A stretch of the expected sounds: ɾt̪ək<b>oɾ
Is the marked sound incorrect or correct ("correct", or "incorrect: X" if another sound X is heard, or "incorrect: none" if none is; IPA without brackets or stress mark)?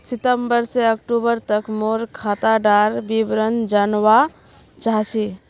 incorrect: m